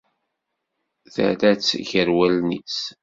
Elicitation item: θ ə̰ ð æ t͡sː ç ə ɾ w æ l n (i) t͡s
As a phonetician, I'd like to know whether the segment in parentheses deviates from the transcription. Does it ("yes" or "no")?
no